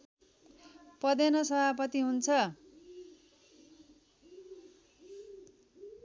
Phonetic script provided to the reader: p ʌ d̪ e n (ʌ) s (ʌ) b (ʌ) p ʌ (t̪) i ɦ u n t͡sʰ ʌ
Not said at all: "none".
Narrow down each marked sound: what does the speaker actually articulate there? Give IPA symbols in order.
ʌ, ʌ, a, t̪

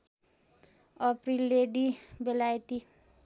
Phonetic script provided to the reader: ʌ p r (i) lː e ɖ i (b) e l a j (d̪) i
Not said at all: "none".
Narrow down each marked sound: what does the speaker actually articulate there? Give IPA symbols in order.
i, b, t̪

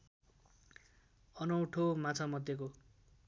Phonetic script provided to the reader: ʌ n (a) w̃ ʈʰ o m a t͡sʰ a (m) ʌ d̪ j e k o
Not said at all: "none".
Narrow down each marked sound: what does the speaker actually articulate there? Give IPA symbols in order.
ʌ, m

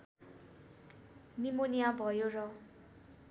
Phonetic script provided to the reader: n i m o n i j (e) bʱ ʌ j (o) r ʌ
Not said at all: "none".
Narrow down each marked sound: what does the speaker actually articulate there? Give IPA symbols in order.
a, o

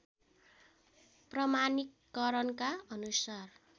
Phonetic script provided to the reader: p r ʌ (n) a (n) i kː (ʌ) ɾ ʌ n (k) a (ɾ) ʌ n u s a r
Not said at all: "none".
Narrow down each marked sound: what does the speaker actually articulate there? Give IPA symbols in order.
m, n, ʌ, k, none

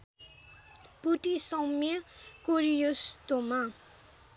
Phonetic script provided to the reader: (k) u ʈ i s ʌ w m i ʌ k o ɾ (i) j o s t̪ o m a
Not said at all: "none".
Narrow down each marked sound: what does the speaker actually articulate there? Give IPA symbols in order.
p, i

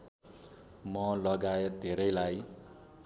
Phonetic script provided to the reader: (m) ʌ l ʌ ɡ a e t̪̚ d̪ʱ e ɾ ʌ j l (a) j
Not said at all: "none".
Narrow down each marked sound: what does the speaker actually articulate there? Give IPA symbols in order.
m, a

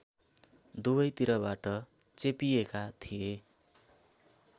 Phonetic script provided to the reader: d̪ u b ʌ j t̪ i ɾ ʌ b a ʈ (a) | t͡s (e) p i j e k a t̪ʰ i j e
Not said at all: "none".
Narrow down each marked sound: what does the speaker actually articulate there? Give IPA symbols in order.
ʌ, e

